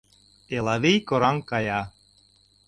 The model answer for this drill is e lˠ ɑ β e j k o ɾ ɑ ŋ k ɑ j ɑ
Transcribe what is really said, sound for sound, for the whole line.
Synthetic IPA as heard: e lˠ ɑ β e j k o ɾ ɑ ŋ k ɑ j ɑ